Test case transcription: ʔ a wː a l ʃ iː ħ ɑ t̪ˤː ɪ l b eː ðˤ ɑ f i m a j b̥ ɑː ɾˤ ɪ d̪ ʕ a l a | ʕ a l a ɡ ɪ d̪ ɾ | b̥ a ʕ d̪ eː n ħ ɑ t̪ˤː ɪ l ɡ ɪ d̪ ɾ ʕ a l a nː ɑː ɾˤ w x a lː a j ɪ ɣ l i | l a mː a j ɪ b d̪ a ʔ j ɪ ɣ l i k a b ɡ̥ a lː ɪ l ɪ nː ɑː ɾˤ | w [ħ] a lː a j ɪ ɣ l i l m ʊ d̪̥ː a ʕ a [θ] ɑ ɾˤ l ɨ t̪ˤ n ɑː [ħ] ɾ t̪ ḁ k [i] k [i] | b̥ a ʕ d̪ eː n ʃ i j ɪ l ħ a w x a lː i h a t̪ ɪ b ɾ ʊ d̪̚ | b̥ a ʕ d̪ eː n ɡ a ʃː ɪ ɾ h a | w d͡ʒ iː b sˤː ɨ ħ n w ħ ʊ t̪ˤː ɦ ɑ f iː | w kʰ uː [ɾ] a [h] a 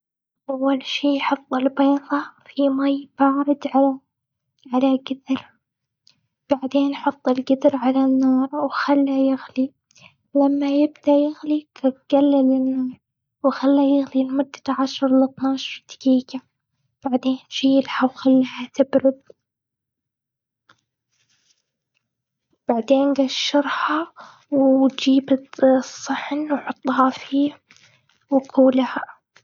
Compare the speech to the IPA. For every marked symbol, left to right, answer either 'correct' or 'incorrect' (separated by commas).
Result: incorrect, incorrect, incorrect, incorrect, incorrect, incorrect, correct